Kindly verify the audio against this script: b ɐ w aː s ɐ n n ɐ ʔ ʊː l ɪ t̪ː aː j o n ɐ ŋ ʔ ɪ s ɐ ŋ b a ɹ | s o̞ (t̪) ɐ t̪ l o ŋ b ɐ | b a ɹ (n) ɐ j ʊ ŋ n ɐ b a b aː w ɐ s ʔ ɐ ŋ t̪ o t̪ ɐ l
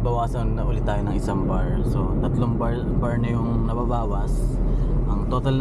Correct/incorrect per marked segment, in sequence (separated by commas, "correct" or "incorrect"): correct, correct